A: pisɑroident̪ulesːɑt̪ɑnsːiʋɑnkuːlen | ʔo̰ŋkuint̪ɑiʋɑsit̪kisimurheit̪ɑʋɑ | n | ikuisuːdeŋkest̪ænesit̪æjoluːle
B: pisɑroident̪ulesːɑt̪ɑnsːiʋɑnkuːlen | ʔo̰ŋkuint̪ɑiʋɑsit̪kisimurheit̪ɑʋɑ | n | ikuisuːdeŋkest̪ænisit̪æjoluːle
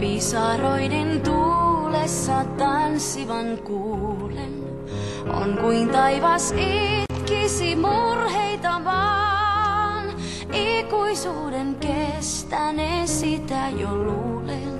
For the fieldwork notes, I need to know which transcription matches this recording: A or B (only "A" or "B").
A